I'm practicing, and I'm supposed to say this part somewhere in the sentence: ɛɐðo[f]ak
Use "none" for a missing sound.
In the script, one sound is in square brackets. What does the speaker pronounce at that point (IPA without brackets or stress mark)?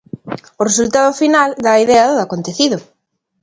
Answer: none